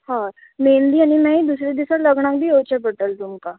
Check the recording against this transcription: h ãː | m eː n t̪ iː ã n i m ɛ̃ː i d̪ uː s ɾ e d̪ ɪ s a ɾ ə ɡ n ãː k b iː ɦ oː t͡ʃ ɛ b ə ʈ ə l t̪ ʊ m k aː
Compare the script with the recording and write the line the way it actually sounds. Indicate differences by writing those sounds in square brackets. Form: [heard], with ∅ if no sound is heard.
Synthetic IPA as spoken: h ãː | m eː n [d̪] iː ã n i m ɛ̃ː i d̪ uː s ɾ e d̪ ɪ s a [l] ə ɡ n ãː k b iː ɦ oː t͡ʃ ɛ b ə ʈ ə l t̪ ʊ m k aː